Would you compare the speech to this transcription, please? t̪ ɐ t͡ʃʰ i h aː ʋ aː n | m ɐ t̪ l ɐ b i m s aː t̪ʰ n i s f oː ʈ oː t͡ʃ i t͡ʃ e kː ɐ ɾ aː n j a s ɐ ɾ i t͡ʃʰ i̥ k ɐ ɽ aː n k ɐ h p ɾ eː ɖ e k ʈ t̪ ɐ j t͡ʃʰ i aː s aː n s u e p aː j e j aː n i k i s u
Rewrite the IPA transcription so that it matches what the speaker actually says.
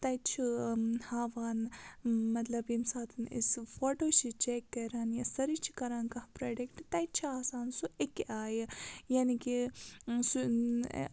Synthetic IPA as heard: t̪ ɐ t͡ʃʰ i h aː ʋ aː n | m ɐ t̪ l ɐ b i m s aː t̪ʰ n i s f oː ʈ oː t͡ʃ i t͡ʃ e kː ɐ ɾ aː n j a s ɐ ɾ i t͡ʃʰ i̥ k ɐ ɾ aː n k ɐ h p ɾ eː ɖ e k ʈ t̪ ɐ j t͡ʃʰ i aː s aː n s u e k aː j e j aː n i k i s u